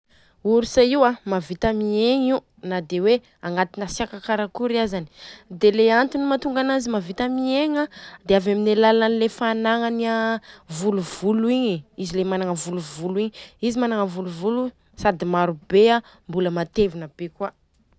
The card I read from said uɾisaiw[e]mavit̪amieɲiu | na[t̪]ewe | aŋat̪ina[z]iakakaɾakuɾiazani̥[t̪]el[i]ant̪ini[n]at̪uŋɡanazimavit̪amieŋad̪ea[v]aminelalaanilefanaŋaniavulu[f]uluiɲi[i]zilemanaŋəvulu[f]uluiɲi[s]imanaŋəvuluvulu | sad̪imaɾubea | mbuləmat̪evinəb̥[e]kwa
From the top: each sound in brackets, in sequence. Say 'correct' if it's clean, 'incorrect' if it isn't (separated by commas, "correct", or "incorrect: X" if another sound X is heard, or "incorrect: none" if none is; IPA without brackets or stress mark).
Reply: incorrect: a, incorrect: d̪, incorrect: s, incorrect: d̪, incorrect: e, incorrect: m, correct, incorrect: v, correct, incorrect: v, incorrect: z, correct